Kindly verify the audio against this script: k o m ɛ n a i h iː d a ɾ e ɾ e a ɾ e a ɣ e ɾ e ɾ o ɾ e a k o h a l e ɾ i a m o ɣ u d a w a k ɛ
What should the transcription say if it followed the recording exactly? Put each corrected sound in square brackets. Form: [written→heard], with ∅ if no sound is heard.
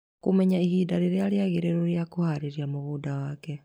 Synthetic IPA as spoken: k o m ɛ [n→ɲ] a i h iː d a ɾ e ɾ e a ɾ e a ɣ e ɾ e ɾ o ɾ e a k o h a [l→ɾ] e ɾ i a m o ɣ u d a w a k ɛ